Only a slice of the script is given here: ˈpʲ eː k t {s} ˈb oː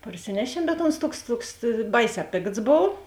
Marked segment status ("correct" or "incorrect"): correct